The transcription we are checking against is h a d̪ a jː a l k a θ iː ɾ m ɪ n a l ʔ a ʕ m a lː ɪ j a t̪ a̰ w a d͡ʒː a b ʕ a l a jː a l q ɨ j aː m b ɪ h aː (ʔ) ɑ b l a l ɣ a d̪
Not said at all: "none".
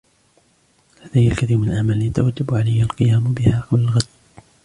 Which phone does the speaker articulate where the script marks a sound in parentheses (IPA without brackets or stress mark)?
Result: q